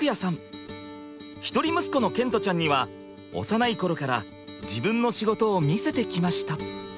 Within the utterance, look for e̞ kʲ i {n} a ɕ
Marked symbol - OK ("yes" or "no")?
no